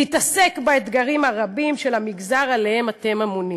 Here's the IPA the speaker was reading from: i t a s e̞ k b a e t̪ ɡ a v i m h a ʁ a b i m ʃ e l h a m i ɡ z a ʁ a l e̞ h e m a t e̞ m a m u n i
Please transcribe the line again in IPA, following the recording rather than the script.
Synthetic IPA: i t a s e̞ k b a e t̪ ɡ a ʁ i m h a ʁ a b i m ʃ e l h a m i ɡ z a ʁ a l e̞ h e m a t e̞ m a m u n i